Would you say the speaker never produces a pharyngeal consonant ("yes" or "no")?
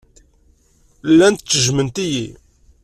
yes